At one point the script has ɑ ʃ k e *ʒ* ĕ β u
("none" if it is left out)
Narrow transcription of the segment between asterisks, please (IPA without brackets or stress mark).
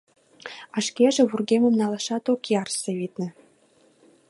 ʒ